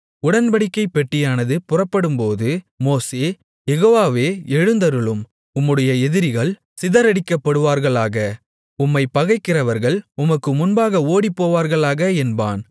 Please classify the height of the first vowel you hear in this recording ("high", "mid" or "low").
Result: high